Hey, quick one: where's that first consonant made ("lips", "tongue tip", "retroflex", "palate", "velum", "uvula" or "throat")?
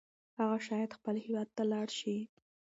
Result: throat